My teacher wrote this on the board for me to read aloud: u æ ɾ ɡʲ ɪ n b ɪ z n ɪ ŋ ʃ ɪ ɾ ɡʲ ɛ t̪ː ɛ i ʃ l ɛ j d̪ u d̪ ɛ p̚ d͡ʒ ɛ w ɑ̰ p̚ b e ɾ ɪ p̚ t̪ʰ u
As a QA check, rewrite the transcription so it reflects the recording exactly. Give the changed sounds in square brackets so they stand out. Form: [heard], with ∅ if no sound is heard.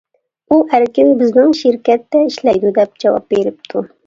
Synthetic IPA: u æ ɾ [kʲ] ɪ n b ɪ z n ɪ ŋ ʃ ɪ ɾ [kʲ] ɛ t̪ː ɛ i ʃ l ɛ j d̪ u d̪ ɛ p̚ d͡ʒ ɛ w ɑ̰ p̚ b e ɾ ɪ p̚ t̪ʰ u